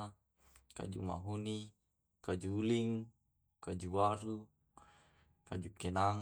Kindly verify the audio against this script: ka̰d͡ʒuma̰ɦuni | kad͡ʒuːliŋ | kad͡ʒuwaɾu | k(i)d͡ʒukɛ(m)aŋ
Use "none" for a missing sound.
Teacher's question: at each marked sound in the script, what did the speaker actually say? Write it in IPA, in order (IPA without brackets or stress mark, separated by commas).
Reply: a, n